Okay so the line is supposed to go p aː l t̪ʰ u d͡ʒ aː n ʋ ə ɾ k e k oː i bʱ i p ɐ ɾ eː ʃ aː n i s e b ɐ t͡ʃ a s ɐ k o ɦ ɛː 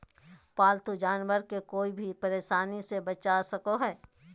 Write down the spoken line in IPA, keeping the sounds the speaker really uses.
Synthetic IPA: p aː l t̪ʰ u d͡ʒ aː n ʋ ə ɾ k e k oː i bʱ i p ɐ ɾ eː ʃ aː n i s e b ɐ t͡ʃ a s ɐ k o ɦ ɛː